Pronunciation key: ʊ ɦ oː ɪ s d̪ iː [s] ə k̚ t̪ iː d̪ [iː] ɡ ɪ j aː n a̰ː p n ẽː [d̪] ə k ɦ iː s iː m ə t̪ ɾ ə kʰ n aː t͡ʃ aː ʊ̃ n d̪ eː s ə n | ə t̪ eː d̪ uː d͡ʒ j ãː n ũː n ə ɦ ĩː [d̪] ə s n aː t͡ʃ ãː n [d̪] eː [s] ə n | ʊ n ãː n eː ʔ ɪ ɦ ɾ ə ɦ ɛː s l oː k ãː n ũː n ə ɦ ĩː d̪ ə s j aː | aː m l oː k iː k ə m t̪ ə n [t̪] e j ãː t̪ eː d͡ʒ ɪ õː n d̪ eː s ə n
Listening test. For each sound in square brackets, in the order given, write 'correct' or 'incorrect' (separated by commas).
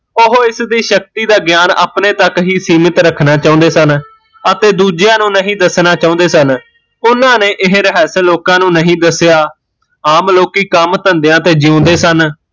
incorrect, incorrect, incorrect, correct, correct, correct, incorrect